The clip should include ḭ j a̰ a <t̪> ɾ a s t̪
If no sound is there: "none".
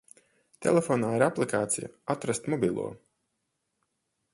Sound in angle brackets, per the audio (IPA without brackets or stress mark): t̪